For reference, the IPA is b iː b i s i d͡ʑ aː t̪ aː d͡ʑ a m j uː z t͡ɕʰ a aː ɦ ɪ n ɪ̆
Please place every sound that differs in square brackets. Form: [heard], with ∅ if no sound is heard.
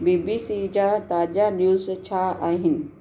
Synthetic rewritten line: b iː b i s i d͡ʑ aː t̪ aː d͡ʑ a [n] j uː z t͡ɕʰ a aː ɦ ɪ n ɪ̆